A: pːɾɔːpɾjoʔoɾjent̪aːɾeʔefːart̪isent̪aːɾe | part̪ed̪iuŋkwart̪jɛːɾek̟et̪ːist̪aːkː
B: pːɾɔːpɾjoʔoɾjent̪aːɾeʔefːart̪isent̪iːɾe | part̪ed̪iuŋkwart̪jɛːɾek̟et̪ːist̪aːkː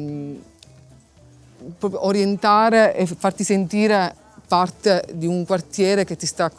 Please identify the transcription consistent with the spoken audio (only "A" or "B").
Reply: B